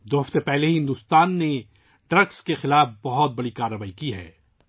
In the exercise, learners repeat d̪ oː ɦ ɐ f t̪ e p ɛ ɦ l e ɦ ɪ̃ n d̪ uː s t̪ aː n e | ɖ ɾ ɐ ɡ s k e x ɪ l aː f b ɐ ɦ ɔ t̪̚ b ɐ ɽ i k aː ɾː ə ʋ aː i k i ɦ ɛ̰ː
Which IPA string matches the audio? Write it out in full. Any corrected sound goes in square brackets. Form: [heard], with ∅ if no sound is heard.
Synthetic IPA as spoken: d̪ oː ɦ ɐ f t̪ e p ɛ ɦ l e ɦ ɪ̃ n d̪ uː s t̪ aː [nː] e | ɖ ɾ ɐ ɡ s k e x ɪ l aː f b ɐ ɦ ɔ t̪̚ b ɐ ɽ i k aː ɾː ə ʋ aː i k i ɦ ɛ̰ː